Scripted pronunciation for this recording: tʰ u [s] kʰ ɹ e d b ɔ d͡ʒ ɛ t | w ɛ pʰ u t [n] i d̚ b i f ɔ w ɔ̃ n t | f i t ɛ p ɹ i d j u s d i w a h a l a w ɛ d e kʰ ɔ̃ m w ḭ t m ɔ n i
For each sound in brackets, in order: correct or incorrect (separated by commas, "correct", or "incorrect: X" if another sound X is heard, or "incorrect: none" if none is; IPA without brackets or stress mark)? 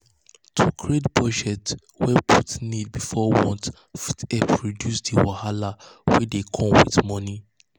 incorrect: none, correct